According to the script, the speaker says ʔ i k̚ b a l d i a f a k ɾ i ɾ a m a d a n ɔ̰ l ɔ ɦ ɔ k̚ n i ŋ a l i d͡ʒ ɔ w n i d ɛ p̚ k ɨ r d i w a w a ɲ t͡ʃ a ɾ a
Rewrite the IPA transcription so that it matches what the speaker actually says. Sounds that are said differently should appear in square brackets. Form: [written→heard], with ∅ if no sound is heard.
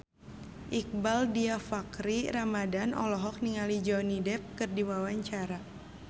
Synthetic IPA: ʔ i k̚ b a l d i a f a k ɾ i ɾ a m a d a n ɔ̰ l ɔ ɦ ɔ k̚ n i ŋ a l i d͡ʒ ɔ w n i d ɛ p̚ k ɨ r d i w a w a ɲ t͡ʃ a ɾ a